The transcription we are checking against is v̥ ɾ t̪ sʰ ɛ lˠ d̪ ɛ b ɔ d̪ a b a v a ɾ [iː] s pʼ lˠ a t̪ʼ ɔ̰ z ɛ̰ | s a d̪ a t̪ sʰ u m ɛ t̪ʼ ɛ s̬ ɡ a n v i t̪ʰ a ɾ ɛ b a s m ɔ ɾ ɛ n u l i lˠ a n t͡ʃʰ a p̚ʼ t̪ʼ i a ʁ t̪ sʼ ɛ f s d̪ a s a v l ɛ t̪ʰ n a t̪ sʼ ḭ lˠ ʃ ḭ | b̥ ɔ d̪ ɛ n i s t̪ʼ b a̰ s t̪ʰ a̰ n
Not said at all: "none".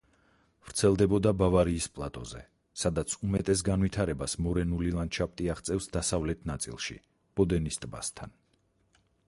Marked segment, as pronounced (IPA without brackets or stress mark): iː